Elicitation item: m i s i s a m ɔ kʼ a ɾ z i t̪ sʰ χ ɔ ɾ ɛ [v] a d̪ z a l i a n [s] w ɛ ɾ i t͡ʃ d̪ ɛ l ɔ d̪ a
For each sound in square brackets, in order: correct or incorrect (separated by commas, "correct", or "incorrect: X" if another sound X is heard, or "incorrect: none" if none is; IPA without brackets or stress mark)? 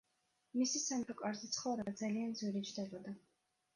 incorrect: b, incorrect: z